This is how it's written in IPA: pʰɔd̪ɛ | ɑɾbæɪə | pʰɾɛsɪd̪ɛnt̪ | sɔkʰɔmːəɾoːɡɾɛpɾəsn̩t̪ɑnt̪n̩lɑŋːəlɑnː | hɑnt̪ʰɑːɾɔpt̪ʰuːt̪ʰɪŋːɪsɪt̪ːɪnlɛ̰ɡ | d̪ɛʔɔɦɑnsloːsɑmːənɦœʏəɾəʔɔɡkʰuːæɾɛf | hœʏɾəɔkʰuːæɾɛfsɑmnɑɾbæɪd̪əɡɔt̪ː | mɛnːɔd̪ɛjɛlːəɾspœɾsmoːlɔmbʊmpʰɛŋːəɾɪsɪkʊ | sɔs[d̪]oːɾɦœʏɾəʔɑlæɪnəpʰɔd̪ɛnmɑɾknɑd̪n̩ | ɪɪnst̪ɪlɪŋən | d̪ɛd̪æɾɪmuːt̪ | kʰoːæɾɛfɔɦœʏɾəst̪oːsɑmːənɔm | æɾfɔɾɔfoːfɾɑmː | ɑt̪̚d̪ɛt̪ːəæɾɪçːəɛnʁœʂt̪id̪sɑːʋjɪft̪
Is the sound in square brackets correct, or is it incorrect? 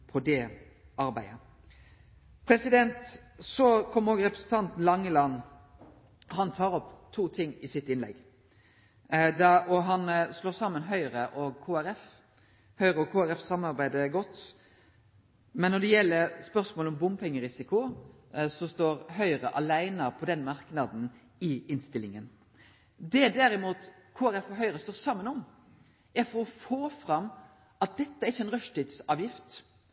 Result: incorrect